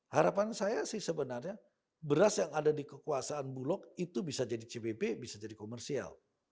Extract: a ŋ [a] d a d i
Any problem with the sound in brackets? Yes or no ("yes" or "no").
no